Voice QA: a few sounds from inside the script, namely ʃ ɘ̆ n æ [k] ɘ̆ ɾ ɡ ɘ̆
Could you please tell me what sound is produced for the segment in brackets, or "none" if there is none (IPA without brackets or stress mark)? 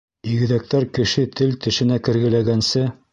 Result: k